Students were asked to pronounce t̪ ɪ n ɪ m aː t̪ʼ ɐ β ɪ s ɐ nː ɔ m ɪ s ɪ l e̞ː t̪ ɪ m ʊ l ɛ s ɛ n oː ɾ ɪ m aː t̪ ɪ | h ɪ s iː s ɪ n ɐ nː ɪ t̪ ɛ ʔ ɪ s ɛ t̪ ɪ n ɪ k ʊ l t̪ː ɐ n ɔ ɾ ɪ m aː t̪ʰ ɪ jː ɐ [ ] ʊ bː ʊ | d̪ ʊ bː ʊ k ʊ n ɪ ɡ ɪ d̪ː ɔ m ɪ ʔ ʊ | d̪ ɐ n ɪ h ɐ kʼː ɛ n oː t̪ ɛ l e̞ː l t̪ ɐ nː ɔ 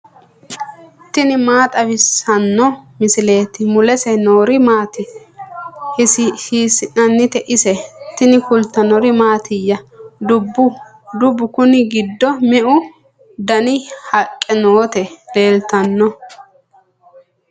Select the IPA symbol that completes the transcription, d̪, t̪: d̪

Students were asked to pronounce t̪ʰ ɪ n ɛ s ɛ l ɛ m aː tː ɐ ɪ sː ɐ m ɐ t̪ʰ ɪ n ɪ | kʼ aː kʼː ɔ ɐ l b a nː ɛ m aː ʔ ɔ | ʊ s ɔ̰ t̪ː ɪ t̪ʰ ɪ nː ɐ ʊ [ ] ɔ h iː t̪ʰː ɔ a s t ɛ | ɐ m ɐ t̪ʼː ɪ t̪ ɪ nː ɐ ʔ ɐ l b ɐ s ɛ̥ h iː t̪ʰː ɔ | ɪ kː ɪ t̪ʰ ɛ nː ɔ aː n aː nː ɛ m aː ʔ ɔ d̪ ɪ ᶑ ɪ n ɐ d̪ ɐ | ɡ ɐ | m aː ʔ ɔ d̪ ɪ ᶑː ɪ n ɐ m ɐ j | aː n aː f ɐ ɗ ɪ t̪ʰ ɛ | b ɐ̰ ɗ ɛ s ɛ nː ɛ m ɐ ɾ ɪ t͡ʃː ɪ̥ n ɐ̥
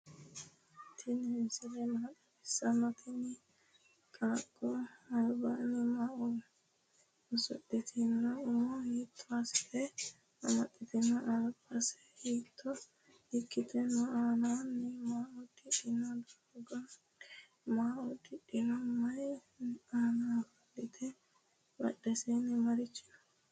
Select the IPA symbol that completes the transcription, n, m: m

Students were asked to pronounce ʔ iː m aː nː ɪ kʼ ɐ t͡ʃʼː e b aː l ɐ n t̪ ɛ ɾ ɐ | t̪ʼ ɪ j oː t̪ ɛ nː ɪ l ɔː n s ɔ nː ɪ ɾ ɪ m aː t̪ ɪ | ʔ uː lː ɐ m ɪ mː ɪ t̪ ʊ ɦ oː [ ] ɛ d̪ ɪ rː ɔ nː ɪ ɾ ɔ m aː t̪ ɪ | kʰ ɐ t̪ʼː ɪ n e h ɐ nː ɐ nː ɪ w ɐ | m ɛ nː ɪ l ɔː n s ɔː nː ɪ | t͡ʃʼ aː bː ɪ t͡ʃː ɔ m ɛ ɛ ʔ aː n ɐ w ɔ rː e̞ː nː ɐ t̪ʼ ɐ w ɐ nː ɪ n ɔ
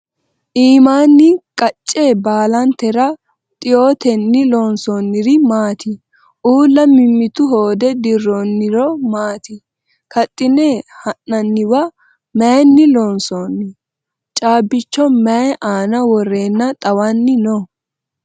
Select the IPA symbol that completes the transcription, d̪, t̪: d̪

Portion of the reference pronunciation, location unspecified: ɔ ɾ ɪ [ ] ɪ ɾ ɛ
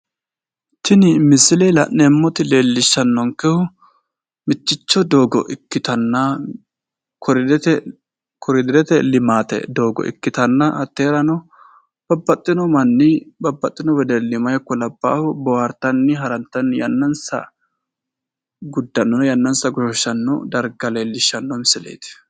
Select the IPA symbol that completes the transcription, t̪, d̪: d̪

